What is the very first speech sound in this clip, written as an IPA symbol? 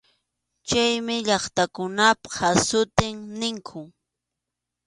t͡ʃ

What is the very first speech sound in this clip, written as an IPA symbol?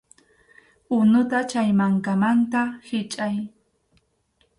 ʊ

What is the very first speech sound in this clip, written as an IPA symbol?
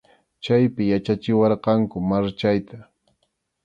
t͡ʃ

